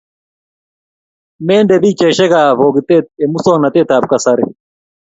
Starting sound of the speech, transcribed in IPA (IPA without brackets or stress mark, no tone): m